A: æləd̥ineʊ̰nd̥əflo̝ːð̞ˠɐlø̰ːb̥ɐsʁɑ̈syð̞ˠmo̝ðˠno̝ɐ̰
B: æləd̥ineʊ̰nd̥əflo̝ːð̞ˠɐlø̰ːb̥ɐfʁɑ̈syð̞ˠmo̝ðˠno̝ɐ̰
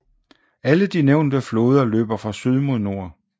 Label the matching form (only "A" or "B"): B